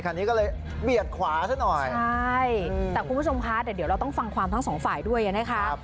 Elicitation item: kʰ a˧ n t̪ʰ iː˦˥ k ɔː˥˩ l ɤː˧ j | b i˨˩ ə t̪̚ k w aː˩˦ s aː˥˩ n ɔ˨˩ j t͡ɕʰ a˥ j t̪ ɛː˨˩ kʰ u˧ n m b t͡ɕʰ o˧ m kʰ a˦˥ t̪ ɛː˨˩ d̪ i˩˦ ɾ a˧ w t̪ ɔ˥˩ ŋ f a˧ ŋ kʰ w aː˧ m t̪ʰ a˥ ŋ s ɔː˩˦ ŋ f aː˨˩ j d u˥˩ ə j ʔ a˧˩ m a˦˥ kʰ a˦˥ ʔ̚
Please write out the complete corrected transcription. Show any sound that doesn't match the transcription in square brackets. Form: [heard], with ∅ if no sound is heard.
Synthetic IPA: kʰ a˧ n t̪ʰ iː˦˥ k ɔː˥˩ l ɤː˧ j | b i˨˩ ə t̪̚ [kʰ] w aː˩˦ s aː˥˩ n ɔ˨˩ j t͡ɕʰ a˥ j t̪ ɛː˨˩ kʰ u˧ n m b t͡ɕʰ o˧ m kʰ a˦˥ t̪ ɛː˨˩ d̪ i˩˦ ɾ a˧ w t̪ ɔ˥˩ ŋ f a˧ ŋ kʰ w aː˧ m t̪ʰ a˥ ŋ s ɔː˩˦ ŋ f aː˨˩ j d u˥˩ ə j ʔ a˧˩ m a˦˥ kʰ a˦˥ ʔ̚